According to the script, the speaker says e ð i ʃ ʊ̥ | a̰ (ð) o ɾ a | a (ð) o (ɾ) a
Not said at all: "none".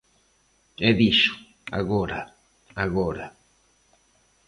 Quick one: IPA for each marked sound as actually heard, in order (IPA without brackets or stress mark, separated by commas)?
ɣ, ɣ, ɾ